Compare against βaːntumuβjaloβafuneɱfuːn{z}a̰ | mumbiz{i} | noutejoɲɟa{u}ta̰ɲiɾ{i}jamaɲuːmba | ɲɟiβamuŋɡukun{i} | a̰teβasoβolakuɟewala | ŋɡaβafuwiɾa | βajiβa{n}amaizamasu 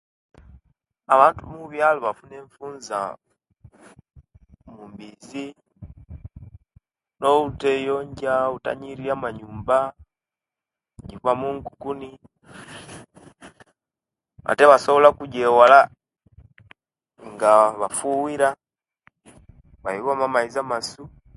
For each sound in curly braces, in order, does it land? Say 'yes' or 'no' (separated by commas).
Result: yes, yes, yes, yes, yes, no